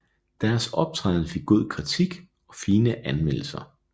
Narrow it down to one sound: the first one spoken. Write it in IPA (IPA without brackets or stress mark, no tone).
d̥